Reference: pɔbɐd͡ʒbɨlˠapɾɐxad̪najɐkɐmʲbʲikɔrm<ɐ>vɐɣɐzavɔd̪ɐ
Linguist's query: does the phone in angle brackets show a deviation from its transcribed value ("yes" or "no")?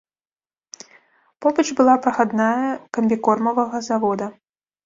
no